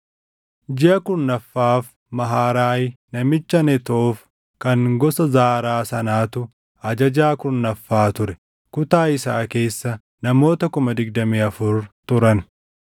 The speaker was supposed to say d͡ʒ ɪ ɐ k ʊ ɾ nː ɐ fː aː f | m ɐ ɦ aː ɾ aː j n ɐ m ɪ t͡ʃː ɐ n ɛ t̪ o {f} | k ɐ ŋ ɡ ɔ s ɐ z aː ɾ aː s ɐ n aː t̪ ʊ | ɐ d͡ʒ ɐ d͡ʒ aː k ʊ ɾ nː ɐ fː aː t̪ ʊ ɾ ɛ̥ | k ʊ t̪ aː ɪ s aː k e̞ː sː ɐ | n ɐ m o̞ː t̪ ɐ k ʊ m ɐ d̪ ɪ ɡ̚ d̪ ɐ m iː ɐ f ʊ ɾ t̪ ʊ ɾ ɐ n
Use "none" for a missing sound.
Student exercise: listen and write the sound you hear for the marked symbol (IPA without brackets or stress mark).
f